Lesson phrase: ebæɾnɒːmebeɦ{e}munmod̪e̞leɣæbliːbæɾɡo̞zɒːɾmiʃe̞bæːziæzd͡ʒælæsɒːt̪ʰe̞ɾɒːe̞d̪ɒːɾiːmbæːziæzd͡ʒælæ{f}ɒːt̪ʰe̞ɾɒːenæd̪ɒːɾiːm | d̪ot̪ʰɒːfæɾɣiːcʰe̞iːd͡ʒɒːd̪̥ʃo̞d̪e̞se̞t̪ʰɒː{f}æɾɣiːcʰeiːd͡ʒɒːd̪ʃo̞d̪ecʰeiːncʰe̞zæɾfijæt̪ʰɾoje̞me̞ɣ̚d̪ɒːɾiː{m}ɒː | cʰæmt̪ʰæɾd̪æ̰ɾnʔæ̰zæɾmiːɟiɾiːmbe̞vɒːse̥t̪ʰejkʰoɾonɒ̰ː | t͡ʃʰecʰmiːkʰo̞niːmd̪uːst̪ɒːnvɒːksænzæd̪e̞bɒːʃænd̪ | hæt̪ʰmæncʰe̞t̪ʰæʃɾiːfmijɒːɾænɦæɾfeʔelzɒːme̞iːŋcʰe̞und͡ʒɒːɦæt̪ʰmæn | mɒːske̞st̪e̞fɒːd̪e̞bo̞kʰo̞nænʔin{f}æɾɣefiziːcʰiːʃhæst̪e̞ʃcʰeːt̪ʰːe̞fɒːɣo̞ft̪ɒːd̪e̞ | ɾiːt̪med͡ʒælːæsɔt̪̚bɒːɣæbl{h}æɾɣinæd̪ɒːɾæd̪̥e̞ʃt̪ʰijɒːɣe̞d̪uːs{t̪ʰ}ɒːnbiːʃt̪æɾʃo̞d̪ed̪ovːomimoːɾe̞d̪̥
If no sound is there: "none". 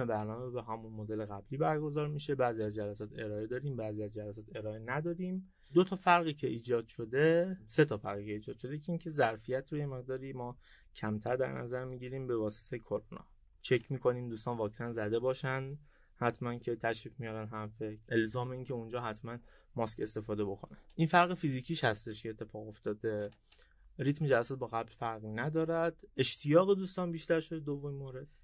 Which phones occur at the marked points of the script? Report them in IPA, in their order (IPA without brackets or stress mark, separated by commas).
æ, s, f, m, f, f, t̪